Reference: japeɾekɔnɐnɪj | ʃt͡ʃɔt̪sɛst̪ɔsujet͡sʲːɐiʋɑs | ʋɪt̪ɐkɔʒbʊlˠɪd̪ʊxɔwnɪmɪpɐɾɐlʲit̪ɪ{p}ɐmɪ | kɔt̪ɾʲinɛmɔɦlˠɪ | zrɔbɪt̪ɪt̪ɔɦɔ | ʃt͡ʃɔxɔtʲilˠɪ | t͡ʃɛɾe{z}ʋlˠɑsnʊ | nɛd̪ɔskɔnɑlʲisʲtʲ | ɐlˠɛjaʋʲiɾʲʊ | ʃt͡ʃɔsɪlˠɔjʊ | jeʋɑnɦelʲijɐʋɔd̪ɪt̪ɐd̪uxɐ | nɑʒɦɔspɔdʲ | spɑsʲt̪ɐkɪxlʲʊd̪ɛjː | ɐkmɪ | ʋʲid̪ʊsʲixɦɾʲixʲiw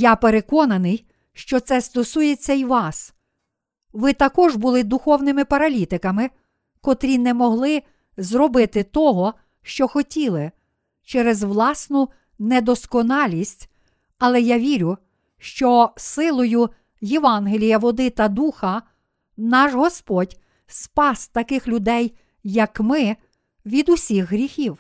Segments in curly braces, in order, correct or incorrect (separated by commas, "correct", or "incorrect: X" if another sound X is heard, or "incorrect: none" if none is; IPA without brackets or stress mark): incorrect: k, correct